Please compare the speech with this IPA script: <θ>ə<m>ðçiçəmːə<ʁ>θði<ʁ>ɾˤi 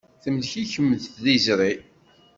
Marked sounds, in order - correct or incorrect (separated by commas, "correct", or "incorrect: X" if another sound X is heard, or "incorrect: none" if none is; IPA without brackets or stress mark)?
correct, correct, incorrect: ð, incorrect: z